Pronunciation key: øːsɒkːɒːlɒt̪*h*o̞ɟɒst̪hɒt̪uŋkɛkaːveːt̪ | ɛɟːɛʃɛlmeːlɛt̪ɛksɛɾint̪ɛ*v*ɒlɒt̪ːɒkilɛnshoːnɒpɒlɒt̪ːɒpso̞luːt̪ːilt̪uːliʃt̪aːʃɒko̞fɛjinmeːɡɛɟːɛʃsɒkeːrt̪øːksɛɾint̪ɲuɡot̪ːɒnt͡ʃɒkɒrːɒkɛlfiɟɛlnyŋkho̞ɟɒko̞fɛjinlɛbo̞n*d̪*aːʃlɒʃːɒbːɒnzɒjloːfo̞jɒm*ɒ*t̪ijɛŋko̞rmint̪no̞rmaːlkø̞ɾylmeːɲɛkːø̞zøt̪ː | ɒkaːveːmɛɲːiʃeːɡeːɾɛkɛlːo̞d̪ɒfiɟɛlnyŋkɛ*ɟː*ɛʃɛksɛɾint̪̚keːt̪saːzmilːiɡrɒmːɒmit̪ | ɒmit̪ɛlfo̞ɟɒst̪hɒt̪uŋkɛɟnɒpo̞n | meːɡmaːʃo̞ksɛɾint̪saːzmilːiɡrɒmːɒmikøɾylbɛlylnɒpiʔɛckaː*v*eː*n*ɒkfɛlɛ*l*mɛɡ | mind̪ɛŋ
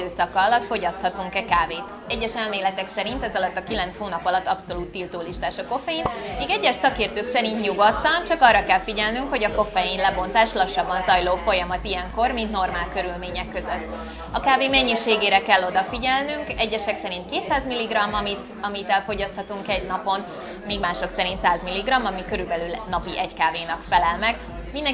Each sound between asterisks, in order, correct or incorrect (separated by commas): incorrect, incorrect, incorrect, correct, correct, correct, correct, correct